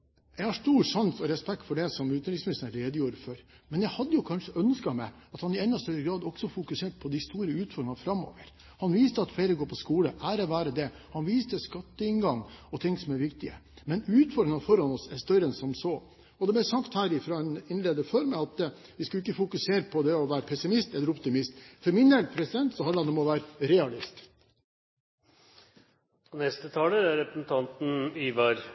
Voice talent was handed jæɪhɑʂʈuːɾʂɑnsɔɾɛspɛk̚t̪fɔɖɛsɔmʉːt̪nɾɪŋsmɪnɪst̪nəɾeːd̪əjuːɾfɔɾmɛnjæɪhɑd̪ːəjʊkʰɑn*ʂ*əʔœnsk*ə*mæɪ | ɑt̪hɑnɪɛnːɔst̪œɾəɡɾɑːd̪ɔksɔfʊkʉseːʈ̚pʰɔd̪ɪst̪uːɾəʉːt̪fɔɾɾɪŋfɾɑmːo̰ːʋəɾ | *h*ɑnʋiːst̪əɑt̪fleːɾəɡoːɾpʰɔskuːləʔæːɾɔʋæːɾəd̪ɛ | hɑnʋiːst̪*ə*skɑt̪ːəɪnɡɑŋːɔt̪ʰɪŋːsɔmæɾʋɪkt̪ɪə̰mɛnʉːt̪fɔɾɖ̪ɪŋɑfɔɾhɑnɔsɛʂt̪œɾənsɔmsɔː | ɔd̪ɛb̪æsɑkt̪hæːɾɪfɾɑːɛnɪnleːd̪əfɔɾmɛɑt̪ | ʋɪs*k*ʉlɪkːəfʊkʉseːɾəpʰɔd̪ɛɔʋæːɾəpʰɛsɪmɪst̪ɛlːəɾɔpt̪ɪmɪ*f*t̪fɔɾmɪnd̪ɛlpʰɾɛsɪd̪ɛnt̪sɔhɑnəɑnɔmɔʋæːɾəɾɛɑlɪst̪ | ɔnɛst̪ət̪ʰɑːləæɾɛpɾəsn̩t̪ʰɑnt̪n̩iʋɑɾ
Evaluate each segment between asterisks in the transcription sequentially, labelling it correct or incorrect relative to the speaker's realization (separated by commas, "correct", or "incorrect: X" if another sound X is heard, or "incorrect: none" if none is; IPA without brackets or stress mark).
correct, incorrect: ɑ, correct, correct, correct, incorrect: s